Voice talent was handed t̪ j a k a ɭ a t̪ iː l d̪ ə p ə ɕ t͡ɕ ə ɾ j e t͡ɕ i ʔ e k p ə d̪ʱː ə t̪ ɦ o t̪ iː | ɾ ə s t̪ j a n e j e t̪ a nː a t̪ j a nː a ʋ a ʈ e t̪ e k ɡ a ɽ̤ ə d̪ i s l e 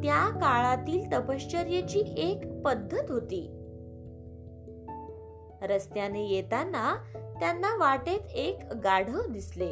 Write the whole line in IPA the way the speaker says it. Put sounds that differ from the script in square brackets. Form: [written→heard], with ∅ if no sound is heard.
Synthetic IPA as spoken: t̪ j a k a ɭ a t̪ iː l [d̪→t̪] ə p ə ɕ t͡ɕ ə ɾ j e t͡ɕ [i→iː] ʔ e k p ə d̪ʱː ə t̪ ɦ o t̪ iː | ɾ ə s t̪ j a n e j e t̪ a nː a t̪ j a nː a ʋ a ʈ e t̪ e k ɡ a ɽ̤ ə d̪ i s l e